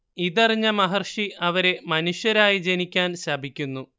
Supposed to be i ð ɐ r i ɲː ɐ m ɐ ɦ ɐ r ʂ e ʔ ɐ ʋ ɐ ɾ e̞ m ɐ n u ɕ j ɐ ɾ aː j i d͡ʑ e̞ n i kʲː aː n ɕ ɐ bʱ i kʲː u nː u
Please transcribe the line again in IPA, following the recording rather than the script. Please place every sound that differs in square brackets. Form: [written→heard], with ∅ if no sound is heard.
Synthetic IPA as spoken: i ð ɐ r i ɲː ɐ m ɐ ɦ ɐ r ʂ [e→i] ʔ ɐ ʋ ɐ ɾ e̞ m ɐ n u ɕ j ɐ ɾ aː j i d͡ʑ e̞ n i kʲː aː n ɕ ɐ bʱ i kʲː u nː u